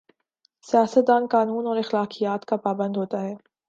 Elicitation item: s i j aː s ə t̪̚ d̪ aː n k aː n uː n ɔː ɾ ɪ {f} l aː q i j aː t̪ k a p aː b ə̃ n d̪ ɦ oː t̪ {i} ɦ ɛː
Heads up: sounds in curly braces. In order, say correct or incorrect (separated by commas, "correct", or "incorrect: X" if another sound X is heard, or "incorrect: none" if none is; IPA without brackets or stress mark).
incorrect: x, incorrect: a